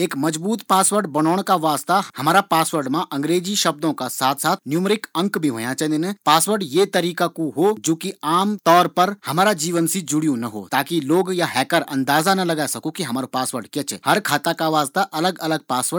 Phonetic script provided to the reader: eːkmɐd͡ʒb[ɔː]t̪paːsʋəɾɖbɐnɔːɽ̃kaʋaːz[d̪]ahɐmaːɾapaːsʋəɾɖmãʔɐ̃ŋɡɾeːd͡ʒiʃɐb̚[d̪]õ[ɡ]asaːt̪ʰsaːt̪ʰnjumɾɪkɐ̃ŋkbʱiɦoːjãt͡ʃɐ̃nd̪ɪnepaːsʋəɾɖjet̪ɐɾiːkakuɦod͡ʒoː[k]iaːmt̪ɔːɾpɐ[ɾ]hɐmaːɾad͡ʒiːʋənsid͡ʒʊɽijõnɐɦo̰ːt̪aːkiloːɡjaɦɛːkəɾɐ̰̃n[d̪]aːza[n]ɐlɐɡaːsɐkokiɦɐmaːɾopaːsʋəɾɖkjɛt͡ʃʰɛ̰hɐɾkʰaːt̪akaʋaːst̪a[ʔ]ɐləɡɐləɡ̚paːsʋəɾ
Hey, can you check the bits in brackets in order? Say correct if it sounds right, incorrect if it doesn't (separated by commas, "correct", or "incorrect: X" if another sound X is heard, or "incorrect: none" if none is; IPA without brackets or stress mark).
incorrect: uː, incorrect: t̪, correct, incorrect: k, correct, correct, correct, correct, correct